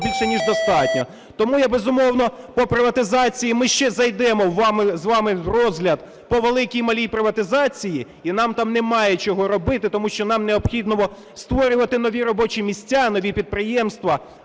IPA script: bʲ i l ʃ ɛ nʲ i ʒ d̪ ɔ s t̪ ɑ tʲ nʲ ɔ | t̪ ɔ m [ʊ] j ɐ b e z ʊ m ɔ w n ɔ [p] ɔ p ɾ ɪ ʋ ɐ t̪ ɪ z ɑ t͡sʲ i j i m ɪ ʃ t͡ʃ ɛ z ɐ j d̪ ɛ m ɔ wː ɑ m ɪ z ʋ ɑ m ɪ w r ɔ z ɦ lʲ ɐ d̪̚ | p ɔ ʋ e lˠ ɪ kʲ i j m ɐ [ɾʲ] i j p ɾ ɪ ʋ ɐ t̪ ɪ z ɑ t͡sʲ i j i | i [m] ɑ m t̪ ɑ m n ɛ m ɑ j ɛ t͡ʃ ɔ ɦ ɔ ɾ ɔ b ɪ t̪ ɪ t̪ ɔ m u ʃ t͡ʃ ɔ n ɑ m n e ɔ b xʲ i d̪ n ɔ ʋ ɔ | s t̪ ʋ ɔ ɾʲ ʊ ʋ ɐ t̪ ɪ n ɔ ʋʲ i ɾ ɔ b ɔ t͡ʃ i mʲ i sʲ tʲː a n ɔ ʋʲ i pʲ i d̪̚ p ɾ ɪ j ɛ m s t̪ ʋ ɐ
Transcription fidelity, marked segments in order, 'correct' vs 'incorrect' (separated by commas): incorrect, correct, incorrect, incorrect